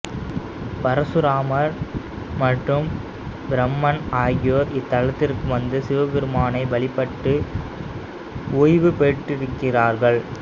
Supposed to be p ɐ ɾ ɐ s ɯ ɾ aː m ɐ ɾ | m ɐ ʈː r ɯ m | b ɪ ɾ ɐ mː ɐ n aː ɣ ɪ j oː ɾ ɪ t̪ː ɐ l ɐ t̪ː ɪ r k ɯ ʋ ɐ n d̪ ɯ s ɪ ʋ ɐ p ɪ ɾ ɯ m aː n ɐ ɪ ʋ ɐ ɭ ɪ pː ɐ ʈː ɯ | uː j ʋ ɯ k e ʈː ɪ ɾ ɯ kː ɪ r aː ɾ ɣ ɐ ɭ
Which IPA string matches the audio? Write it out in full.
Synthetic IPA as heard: p ɐ ɾ ɐ s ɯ ɾ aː m ɐ ɾ | m ɐ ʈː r ɯ m | b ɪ ɾ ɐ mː ɐ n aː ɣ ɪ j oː ɾ ɪ t̪ː ɐ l ɐ t̪ː ɪ r k ɯ ʋ ɐ n d̪ ɯ s ɪ ʋ ɐ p ɪ ɾ ɯ m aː n ɐ ɪ ʋ ɐ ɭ ɪ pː ɐ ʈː ɯ | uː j ʋ ɯ p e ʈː ɪ ɾ ɯ kː ɪ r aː ɾ ɣ ɐ ɭ